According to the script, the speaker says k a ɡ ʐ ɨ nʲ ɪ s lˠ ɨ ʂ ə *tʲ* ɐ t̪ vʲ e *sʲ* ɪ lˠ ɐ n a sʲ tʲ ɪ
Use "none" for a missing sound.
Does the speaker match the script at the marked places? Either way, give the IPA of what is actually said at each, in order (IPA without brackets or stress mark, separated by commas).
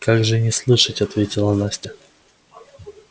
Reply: tʲ, tʲ